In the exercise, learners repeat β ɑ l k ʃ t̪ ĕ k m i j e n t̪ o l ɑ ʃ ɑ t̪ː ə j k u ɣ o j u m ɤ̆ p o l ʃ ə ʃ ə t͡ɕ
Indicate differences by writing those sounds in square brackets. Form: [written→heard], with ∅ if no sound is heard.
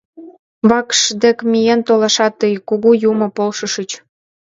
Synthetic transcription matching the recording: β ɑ [l→∅] k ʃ [t̪→d̪] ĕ k m i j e n t̪ o l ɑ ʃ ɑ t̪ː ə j k u ɣ [o→u] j u m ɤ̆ p o l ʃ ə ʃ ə t͡ɕ